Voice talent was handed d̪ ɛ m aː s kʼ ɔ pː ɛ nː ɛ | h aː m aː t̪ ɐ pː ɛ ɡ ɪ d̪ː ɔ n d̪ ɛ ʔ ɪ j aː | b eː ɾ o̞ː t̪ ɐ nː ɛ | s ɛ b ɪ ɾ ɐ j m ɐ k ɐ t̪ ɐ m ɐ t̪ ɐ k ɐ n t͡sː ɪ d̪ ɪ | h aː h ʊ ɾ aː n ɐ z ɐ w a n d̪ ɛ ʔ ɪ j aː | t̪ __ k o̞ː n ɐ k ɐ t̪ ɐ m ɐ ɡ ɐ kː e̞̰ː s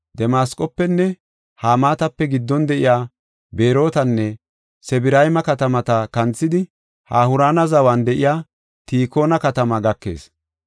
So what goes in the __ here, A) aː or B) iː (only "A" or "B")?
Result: B